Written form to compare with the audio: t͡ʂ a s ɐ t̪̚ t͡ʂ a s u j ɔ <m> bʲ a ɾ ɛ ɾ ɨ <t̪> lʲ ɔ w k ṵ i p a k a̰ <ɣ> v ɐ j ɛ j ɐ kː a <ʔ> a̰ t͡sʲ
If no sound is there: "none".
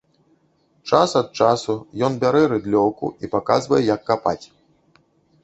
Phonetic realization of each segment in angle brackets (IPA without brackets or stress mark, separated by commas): n, d̪, z, p